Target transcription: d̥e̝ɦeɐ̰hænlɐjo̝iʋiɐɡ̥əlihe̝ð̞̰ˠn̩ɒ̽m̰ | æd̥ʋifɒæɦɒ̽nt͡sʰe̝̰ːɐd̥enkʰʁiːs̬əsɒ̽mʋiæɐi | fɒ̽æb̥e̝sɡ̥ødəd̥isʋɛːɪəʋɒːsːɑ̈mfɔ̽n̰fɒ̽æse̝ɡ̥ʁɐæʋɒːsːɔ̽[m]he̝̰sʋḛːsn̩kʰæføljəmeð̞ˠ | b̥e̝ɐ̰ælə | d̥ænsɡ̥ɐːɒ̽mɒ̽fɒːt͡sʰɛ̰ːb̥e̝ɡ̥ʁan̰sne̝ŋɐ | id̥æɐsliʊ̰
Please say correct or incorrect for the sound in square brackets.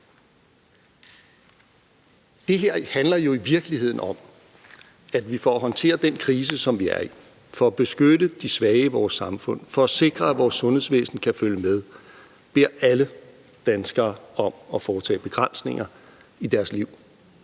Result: incorrect: n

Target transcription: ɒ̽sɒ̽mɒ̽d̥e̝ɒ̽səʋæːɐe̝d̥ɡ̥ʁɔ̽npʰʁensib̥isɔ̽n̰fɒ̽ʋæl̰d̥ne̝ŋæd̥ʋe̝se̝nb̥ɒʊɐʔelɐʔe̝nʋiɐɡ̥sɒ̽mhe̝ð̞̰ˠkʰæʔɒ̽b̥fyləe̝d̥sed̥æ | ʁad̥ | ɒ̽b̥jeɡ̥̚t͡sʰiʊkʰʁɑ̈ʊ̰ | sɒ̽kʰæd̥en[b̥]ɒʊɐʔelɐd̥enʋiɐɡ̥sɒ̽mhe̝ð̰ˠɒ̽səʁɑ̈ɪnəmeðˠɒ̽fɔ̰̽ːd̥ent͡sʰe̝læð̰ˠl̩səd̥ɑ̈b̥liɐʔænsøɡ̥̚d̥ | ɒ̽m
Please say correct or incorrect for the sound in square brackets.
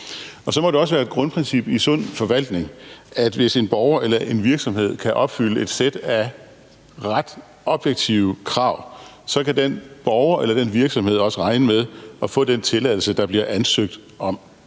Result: correct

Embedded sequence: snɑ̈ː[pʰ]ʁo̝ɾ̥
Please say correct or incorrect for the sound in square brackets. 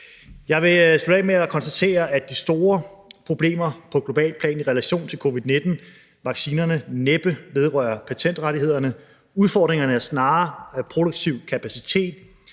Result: correct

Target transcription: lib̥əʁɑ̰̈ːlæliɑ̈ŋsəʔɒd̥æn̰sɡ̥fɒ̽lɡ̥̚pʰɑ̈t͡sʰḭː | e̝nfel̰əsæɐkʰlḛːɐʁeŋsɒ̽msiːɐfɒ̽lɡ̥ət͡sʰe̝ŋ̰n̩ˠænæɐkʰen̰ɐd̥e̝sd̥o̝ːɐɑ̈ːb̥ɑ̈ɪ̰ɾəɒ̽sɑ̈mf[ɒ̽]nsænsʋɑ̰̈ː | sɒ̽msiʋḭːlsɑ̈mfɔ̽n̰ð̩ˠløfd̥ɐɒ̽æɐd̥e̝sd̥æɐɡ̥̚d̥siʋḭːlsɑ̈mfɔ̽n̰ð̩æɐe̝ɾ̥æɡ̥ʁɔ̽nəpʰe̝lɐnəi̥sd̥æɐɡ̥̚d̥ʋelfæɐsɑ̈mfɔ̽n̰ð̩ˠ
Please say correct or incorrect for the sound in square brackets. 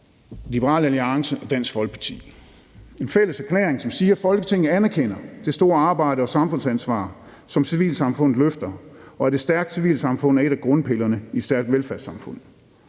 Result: incorrect: ɔ̽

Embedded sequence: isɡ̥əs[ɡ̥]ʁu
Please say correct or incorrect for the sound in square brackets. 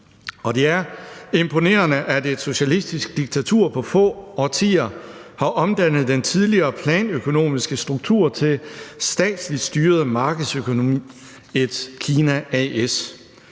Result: incorrect: d̥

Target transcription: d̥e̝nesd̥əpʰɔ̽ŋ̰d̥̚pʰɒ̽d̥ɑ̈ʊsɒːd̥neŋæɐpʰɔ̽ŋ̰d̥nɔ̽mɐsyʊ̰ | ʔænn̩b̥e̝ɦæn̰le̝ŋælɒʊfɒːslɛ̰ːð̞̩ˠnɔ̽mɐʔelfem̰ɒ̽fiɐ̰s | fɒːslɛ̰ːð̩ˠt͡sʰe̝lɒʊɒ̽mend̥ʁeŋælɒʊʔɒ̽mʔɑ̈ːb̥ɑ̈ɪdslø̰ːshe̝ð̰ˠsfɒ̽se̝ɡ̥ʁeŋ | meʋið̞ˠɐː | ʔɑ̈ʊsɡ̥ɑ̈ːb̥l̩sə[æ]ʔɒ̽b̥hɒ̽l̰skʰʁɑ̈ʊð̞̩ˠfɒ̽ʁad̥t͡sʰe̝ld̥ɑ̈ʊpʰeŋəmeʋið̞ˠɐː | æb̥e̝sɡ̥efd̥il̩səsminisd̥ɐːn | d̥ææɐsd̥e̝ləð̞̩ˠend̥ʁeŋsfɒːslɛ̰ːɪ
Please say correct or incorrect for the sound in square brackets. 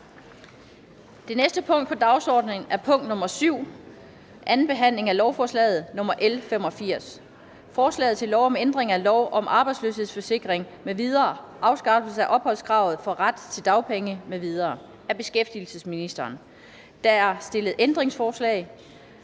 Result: correct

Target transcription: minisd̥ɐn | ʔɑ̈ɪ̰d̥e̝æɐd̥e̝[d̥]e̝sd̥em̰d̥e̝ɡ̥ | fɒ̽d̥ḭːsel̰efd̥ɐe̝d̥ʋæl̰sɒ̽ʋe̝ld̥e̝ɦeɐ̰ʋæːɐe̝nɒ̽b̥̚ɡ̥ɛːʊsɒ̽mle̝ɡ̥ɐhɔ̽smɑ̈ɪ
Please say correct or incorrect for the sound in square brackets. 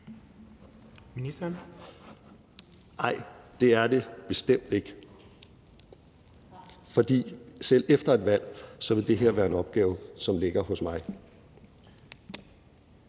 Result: incorrect: b̥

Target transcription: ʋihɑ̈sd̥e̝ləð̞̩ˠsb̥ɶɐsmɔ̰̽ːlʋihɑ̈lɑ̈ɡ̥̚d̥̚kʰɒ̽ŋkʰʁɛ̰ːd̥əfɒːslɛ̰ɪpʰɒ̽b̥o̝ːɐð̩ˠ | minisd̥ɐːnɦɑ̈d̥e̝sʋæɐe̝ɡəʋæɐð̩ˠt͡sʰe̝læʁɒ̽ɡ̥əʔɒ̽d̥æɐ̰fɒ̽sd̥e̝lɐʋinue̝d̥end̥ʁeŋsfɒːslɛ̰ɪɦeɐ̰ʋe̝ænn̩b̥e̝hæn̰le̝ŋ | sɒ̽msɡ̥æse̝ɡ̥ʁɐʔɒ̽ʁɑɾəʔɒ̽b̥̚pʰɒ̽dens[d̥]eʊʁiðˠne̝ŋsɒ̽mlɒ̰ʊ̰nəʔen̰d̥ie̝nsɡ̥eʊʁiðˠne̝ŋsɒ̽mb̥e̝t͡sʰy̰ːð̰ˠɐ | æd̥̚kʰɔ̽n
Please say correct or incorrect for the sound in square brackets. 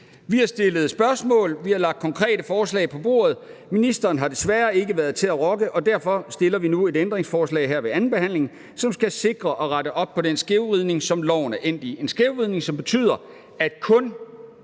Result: incorrect: ɡ̥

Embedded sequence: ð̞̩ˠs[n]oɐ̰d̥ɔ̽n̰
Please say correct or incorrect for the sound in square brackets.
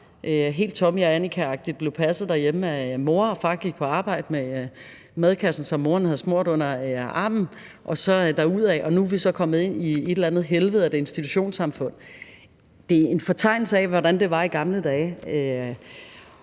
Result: incorrect: m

